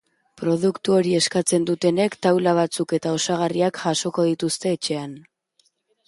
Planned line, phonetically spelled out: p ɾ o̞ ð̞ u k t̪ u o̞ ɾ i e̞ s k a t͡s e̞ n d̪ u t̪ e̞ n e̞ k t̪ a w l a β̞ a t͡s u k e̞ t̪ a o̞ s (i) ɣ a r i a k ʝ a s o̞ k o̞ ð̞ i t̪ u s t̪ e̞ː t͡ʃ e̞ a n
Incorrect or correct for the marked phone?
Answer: incorrect: a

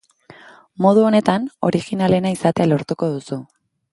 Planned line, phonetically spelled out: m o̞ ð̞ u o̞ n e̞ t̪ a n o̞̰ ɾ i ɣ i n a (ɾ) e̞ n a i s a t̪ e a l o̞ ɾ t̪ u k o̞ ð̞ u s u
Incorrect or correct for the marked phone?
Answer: incorrect: l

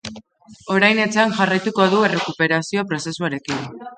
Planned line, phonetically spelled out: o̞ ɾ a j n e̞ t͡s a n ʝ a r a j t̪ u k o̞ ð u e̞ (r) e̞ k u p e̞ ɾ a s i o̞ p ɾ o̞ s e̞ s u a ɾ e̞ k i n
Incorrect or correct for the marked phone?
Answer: correct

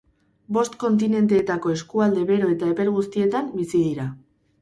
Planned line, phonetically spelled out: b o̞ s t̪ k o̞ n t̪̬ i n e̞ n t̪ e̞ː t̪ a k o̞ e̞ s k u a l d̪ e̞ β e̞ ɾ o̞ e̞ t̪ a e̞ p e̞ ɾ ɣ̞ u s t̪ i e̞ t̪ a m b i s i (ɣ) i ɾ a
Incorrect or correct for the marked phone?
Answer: incorrect: ð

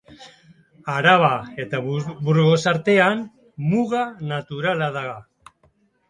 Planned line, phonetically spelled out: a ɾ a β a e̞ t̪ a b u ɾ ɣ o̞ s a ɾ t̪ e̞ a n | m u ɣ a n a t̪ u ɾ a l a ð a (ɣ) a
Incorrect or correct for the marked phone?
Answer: correct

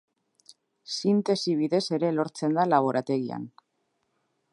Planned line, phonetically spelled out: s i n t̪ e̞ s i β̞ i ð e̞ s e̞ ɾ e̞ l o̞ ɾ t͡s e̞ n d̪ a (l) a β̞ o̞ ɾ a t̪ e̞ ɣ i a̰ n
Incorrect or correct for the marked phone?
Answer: correct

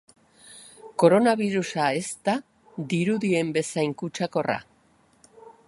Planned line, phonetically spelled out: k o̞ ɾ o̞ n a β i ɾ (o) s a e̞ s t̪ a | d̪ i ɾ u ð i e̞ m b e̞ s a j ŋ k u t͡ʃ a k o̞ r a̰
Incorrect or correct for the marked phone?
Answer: incorrect: u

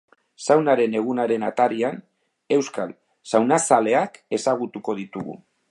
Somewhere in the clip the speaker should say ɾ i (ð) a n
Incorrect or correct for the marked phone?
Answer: incorrect: none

